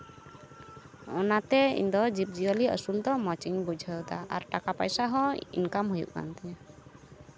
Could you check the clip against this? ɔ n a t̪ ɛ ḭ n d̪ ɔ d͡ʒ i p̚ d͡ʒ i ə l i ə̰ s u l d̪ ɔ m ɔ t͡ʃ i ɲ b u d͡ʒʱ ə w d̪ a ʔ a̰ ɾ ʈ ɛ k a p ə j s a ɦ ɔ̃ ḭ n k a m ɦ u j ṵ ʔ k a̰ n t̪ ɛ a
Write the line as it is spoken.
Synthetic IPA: ɔ n a t̪ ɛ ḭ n d̪ ɔ d͡ʒ i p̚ d͡ʒ i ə l i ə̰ s u l d̪ ɔ m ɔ t͡ʃ i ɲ b u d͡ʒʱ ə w d̪ a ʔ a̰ ɾ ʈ a k a p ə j s a ɦ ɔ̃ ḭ n k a m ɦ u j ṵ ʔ k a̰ n t̪ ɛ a